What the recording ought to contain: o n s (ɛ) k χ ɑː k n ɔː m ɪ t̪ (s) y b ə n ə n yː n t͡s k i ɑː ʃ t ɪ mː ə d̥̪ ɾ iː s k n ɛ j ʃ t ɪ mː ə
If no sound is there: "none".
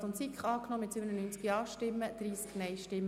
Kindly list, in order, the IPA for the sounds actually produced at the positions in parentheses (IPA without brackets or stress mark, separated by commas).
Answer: i, s